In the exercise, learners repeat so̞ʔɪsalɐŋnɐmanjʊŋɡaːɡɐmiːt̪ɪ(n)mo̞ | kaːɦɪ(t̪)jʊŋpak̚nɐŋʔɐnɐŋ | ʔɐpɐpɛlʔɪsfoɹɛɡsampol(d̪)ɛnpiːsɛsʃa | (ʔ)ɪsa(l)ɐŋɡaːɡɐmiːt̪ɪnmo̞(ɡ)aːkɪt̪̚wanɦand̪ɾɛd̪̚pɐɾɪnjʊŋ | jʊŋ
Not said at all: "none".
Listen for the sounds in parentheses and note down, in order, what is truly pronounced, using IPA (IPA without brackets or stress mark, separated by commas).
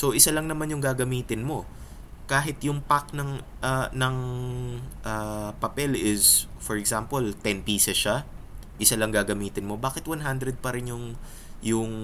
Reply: n, t̪, t̪, ʔ, l, b